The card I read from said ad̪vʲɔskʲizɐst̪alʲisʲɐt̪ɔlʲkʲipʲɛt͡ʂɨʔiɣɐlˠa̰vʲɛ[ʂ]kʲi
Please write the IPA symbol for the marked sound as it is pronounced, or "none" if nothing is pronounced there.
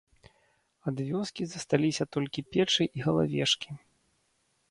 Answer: ʂ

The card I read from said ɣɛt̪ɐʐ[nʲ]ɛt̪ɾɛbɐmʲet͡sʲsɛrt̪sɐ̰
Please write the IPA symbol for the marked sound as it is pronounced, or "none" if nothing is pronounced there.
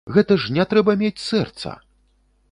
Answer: nʲ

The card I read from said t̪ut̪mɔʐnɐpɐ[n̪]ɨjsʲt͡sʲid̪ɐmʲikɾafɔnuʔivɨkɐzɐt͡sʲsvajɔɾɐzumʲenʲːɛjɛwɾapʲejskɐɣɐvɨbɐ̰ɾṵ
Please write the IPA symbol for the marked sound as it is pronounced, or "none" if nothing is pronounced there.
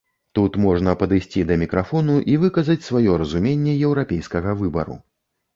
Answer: d̪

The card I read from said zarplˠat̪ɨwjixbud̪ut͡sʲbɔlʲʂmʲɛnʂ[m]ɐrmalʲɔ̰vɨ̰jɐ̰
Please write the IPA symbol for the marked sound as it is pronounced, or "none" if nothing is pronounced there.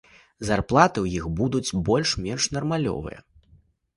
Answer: n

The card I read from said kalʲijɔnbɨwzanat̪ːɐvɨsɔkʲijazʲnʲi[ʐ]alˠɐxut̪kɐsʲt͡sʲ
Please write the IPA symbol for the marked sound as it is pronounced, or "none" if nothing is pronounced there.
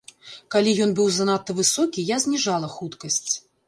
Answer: ʐ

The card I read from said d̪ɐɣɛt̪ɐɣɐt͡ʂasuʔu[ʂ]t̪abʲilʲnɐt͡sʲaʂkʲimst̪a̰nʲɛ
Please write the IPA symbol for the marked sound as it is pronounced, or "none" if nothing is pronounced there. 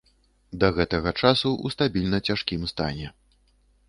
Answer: s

